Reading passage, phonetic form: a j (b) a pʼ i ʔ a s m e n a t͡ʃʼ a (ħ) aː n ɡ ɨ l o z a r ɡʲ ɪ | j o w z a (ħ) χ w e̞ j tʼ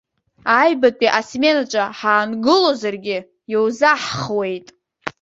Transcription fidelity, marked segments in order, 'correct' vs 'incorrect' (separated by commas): correct, correct, correct